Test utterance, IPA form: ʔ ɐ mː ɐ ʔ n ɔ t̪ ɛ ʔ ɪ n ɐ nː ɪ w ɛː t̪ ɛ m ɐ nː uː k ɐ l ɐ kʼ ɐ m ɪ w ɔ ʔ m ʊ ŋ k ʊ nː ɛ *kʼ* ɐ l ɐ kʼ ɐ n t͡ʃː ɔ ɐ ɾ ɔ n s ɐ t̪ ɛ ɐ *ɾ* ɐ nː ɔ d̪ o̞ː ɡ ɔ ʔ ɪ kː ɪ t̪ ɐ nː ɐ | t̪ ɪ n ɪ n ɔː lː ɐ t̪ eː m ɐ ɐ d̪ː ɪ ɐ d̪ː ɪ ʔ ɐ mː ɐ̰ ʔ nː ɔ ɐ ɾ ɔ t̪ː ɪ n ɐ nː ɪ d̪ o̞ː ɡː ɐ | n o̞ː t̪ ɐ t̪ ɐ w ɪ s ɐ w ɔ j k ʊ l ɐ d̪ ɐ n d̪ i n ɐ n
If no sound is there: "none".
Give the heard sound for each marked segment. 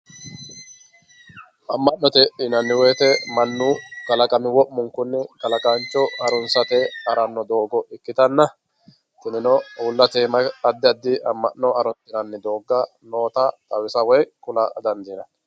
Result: k, ɾ

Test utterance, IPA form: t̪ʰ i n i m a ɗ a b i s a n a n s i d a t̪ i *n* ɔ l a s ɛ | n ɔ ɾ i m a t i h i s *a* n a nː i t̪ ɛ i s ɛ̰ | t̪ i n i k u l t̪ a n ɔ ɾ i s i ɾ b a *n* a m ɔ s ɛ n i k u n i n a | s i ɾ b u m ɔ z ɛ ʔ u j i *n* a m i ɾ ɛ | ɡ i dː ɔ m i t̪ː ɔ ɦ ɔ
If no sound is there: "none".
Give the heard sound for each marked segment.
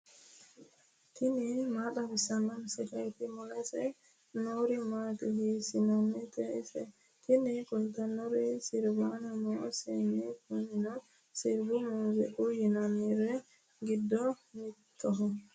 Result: m, i, n, n

